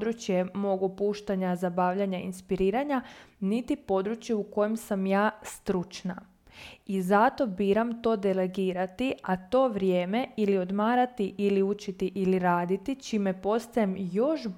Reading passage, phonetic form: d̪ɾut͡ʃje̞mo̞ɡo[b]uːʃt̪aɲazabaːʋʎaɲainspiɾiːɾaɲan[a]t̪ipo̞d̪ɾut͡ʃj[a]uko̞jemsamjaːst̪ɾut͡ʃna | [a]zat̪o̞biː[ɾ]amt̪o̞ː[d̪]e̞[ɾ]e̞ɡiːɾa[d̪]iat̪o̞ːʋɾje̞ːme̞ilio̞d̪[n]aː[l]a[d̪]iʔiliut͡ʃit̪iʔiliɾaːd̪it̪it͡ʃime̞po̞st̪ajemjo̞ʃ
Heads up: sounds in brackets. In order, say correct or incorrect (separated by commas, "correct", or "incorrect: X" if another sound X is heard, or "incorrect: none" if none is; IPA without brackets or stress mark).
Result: incorrect: p, incorrect: i, incorrect: e, incorrect: i, correct, correct, incorrect: l, incorrect: t̪, incorrect: m, incorrect: ɾ, incorrect: t̪